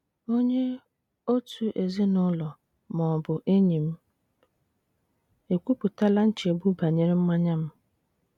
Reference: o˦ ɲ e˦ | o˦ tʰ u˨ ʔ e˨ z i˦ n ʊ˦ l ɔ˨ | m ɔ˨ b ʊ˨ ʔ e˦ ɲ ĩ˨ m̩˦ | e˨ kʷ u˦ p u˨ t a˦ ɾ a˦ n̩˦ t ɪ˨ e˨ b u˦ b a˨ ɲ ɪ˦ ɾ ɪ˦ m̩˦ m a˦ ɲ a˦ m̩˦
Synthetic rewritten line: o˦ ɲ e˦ | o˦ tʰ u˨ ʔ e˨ z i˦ n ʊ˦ l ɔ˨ | m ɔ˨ b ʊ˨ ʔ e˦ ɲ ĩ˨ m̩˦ | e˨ kʷ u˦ p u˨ t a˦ l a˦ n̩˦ t͡ʃ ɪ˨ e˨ b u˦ b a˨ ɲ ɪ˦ ɾ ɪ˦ m̩˦ m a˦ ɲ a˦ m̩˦